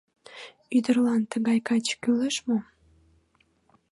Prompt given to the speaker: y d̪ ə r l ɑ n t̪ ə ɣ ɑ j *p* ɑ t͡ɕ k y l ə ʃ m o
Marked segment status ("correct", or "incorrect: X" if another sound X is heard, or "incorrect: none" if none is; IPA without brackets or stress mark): incorrect: k